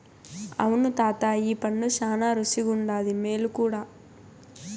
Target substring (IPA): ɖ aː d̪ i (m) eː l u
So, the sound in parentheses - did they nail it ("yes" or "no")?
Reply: yes